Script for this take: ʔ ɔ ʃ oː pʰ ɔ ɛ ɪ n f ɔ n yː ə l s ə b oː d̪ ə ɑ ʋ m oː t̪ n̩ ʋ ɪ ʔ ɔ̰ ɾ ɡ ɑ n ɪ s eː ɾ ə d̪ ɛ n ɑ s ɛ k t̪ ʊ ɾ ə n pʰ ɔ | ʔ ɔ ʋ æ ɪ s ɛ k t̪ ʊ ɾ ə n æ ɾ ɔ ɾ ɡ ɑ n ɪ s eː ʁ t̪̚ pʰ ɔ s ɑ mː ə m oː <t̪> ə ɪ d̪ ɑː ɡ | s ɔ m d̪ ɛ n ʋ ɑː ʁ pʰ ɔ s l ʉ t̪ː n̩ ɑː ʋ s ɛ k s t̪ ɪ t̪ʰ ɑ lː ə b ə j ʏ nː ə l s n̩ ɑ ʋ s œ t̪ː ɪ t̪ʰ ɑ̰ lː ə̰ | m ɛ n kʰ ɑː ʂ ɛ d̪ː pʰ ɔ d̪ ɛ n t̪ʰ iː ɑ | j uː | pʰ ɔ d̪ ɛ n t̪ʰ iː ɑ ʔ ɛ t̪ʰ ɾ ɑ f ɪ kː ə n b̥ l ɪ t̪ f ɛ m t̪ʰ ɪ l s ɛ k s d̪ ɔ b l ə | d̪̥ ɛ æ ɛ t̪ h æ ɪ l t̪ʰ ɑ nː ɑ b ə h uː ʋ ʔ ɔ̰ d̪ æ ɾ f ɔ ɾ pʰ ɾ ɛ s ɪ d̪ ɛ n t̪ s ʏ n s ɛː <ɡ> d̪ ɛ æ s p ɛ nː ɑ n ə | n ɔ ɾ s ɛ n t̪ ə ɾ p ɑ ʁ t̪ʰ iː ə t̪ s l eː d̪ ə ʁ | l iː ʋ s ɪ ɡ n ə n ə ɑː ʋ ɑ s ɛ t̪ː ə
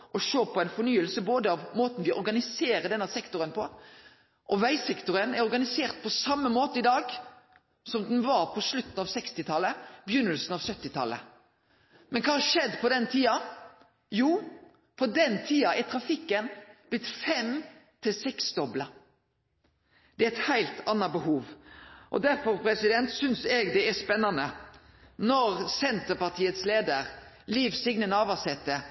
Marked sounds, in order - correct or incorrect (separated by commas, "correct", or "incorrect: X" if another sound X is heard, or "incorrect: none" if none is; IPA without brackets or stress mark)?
correct, correct